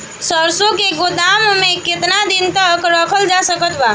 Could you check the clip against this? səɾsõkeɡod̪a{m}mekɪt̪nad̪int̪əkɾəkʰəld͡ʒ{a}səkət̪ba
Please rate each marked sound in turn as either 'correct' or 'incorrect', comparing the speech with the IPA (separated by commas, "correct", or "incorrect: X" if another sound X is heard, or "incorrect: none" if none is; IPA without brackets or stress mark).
correct, correct